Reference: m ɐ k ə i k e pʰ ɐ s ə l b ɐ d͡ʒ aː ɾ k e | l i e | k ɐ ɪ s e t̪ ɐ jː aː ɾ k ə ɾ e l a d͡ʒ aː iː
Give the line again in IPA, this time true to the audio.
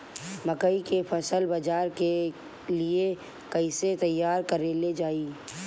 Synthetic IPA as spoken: m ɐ k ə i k e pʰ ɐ s ə l b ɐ d͡ʒ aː ɾ k e | l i e | k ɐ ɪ s e t̪ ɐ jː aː ɾ k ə ɾ e l e d͡ʒ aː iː